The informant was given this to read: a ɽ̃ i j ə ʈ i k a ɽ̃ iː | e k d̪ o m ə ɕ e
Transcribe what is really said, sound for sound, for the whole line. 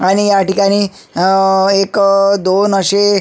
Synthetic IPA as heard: a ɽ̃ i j a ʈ i k a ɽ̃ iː | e k d̪ o n ə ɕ e